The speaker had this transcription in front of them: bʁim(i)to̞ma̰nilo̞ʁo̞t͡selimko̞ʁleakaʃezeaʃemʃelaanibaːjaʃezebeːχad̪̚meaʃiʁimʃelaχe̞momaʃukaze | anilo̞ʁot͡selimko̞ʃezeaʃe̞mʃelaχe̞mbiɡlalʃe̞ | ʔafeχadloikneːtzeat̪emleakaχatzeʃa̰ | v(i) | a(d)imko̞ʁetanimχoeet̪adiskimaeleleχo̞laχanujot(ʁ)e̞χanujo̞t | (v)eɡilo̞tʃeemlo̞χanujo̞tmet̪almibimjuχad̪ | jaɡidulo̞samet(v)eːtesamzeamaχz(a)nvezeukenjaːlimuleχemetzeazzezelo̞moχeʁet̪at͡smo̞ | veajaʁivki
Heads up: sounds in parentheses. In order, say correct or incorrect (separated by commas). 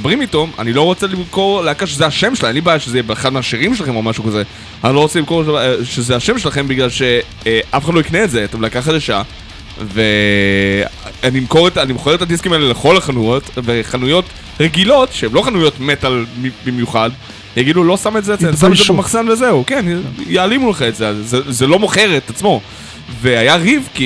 correct, incorrect, incorrect, incorrect, incorrect, incorrect, correct